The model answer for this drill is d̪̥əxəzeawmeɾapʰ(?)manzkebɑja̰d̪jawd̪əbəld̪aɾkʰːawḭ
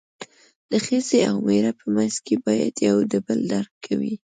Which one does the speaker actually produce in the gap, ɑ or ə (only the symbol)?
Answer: ə